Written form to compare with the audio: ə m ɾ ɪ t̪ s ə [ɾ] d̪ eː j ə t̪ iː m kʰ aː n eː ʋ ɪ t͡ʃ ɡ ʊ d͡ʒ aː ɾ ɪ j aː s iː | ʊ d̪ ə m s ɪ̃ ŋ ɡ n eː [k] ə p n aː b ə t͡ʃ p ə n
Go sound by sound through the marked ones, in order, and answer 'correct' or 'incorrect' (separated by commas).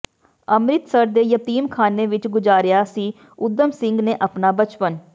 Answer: correct, incorrect